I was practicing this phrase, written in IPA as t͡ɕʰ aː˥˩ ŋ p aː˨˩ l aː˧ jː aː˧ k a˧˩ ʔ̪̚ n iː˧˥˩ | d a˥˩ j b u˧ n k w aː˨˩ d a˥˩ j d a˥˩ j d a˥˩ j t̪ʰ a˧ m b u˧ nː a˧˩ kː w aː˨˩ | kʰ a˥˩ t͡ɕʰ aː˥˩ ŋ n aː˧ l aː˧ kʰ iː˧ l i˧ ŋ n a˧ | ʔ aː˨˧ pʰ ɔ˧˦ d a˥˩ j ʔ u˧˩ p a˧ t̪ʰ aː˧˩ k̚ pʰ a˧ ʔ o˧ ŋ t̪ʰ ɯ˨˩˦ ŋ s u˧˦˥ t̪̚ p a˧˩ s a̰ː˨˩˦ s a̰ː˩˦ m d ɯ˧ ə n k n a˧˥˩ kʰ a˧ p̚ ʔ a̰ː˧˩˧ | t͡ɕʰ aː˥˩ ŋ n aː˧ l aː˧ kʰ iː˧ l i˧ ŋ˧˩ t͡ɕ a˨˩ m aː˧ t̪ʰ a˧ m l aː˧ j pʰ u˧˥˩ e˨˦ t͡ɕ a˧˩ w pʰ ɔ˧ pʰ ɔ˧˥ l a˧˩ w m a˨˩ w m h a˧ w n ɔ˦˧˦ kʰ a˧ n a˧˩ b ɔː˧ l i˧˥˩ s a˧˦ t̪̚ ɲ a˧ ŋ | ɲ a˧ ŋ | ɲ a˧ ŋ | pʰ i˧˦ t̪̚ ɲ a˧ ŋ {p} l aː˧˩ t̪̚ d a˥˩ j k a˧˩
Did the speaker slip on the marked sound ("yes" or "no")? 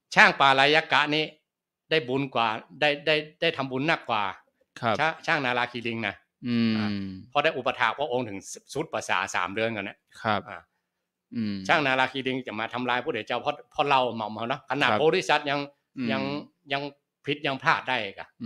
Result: yes